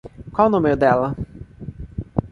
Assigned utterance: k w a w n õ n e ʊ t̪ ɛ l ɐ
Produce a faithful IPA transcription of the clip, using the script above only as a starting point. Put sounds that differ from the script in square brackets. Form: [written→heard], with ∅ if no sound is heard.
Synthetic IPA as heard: k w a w n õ [n→m] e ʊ [t̪→d̪] ɛ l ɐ